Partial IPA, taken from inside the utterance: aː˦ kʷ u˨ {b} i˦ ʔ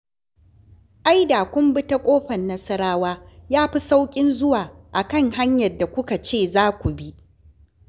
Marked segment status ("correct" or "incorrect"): correct